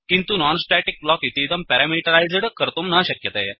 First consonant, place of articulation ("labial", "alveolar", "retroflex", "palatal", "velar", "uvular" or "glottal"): velar